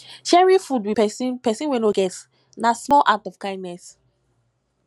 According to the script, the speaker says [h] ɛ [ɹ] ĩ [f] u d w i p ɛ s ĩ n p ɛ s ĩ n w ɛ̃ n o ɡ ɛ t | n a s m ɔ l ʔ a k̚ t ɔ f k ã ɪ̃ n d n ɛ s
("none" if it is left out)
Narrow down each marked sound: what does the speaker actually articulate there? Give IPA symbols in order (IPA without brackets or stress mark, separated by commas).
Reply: ʃ, ɹ, f